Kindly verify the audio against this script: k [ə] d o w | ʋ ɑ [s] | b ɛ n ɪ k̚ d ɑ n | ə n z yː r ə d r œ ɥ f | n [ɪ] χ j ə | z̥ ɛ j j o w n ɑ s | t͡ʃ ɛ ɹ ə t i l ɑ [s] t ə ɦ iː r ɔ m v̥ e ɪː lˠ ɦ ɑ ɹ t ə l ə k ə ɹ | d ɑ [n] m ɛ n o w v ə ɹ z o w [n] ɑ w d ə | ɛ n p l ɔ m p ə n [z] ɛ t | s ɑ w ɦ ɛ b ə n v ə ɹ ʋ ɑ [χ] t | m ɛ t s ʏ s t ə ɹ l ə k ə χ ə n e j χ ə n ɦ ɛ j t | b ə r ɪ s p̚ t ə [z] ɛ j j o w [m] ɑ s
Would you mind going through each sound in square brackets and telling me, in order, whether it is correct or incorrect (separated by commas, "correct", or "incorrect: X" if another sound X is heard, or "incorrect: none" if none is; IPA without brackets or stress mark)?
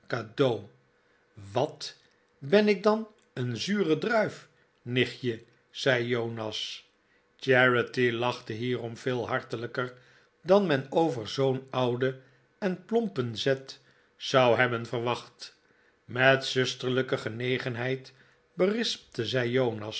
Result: incorrect: a, incorrect: t, correct, incorrect: χ, correct, correct, correct, correct, correct, incorrect: n